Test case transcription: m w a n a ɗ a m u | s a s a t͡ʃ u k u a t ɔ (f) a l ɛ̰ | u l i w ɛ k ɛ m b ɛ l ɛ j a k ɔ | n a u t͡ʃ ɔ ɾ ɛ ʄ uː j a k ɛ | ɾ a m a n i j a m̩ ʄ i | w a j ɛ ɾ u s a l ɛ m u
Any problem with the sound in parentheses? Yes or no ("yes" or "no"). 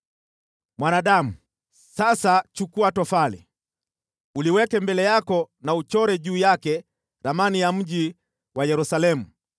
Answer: no